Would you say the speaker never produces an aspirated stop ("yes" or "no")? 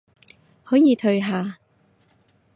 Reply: no